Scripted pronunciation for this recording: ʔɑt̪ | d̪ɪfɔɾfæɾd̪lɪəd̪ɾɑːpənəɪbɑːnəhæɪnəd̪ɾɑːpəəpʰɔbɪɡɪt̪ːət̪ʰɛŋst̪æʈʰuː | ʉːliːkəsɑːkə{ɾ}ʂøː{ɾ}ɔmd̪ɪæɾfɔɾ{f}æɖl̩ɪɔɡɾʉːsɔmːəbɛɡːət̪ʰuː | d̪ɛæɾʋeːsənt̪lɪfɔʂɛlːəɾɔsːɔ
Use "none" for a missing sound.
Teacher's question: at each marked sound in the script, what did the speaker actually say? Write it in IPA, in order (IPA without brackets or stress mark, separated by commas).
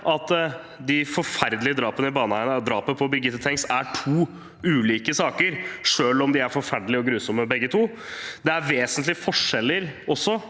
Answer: ɾ, l, f